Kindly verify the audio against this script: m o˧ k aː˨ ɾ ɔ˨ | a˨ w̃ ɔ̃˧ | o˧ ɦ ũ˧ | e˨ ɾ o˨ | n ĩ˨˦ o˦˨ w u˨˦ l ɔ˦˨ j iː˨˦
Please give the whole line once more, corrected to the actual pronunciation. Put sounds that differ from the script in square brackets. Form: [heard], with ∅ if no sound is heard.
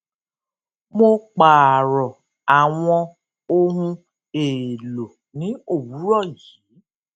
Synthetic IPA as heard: m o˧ [k͡p] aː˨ ɾ ɔ˨ | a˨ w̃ ɔ̃˧ | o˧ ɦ ũ˧ | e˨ [l] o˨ | n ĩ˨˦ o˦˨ w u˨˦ [ɾ] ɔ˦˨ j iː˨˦